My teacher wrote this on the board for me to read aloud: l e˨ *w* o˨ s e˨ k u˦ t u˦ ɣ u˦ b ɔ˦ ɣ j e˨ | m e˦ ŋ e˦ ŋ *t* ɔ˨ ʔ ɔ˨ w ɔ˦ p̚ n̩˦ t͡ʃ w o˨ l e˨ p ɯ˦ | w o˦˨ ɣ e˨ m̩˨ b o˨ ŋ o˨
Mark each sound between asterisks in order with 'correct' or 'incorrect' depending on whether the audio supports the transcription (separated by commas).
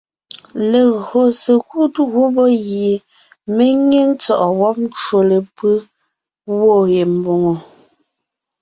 incorrect, incorrect